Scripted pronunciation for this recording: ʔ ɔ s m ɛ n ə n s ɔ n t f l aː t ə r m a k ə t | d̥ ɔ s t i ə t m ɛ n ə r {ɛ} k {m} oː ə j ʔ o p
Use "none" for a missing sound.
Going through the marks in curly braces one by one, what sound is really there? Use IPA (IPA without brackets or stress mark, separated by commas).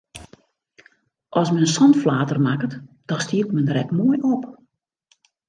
ɛ, m